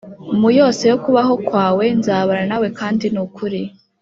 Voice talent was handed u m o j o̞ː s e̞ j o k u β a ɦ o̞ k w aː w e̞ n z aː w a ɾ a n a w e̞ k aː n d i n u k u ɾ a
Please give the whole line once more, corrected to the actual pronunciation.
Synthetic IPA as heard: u m u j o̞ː s e̞ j o k u β a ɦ o̞ k w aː w e̞ n z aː β a ɾ a n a w e̞ k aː n d i n u k u ɾ i